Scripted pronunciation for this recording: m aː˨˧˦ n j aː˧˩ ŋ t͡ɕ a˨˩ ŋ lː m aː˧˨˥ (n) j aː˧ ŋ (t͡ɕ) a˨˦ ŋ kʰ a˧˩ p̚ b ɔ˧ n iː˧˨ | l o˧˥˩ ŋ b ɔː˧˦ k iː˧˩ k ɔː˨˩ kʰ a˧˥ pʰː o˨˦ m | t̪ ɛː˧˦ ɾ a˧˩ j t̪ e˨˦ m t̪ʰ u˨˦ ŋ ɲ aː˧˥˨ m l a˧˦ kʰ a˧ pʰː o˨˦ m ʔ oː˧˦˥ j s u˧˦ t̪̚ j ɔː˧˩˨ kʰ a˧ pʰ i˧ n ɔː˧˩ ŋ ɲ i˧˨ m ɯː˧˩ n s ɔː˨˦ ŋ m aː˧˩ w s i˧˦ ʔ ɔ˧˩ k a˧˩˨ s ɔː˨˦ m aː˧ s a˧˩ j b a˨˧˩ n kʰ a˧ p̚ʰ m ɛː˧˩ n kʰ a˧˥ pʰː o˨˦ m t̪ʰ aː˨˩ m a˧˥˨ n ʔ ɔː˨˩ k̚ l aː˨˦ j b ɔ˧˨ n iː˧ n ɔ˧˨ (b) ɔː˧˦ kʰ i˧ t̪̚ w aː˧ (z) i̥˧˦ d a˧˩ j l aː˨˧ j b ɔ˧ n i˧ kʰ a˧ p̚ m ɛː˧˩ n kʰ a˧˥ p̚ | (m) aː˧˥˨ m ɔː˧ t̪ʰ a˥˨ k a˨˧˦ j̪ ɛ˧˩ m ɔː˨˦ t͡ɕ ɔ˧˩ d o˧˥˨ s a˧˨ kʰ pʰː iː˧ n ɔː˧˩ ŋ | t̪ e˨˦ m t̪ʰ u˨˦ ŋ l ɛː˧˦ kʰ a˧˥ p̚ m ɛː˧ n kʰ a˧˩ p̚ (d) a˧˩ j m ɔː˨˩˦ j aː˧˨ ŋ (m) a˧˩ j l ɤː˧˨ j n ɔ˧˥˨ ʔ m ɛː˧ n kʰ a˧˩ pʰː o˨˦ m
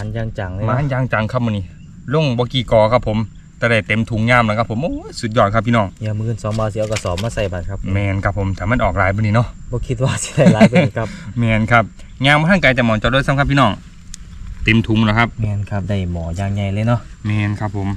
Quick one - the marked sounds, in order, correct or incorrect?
correct, correct, correct, incorrect, incorrect, correct, incorrect

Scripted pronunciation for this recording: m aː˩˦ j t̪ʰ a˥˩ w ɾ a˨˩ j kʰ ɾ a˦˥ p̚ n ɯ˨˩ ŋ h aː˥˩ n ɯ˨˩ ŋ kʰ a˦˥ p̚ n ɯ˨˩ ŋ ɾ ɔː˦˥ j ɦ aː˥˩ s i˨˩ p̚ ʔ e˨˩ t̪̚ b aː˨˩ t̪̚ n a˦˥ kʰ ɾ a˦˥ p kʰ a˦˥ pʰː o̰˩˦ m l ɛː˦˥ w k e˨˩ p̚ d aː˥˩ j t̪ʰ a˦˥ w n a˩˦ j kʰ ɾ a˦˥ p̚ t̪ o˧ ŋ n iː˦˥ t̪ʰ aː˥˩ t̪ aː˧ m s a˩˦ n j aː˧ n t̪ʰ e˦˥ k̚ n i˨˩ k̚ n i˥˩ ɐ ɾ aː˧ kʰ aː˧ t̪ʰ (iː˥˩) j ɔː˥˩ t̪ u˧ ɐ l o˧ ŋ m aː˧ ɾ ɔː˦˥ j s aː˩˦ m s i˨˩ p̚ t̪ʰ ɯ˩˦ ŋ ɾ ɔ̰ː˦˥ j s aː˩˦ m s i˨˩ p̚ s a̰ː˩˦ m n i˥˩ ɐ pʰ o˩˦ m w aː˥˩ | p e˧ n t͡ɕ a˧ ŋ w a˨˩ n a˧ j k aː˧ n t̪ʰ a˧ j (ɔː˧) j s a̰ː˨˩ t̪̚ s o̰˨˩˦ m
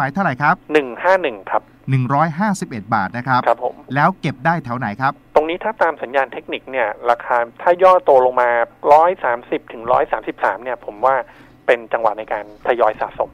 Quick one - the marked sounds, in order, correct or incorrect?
incorrect, correct

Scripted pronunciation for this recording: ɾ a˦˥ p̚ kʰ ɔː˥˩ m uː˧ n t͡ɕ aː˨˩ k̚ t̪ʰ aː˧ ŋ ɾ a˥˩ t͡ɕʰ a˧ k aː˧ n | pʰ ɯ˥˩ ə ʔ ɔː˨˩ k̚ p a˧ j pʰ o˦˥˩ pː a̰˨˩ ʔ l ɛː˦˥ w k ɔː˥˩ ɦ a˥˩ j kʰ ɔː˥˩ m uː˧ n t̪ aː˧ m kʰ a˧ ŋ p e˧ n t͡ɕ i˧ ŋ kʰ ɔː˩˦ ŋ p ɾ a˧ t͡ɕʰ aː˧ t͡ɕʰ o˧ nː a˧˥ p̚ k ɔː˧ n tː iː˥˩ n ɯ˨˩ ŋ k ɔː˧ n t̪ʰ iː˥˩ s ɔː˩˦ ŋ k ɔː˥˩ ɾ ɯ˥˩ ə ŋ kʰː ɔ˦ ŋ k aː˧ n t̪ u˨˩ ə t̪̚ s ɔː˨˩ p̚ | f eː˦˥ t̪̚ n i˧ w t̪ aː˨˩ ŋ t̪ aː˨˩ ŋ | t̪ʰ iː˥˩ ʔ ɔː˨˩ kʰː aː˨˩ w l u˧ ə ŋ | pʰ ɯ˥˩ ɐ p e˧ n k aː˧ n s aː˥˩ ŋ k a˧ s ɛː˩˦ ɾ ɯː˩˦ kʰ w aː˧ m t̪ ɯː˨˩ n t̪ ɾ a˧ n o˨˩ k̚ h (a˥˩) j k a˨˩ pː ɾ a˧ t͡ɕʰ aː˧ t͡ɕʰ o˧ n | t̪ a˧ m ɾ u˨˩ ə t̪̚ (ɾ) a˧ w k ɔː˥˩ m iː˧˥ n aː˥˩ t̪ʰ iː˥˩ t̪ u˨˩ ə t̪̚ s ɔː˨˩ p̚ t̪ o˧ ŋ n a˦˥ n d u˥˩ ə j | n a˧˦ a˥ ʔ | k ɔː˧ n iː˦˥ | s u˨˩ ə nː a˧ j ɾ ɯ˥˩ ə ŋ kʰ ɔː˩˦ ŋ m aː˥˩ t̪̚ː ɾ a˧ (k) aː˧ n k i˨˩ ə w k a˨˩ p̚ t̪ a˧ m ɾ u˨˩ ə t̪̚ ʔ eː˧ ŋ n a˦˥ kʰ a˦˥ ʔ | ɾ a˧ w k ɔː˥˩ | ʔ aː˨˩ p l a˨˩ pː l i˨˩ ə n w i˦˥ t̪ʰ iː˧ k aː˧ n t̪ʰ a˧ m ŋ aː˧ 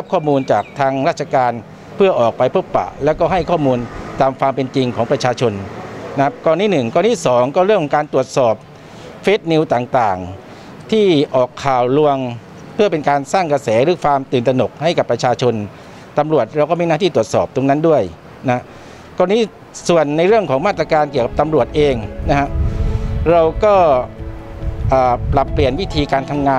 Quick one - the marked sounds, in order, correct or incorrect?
correct, correct, correct

